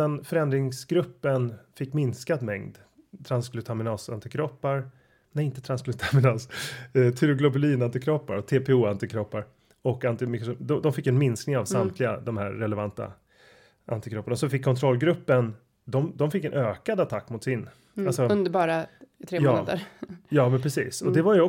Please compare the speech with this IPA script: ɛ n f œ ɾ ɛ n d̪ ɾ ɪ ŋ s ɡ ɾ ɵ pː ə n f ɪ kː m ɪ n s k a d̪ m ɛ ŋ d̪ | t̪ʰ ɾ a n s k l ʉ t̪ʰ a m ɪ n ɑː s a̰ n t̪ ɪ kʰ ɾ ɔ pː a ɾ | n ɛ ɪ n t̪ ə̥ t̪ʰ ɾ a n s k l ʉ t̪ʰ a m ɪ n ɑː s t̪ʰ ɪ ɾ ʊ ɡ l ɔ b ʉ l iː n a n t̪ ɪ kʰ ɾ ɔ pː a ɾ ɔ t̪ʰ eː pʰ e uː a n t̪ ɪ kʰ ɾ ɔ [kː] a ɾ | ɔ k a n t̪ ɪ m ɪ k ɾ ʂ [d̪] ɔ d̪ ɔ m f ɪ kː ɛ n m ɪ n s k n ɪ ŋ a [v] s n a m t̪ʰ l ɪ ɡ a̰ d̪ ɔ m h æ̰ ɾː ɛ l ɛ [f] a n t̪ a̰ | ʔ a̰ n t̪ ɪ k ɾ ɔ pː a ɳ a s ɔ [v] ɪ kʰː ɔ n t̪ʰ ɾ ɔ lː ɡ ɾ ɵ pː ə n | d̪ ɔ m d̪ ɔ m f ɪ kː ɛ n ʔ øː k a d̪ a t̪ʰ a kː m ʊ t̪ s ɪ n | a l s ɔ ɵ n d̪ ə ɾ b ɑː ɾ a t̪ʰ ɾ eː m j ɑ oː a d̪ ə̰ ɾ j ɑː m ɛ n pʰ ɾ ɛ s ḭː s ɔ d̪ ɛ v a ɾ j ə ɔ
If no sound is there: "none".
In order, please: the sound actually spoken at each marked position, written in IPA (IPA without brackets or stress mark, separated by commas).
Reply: pː, d̪, v, v, f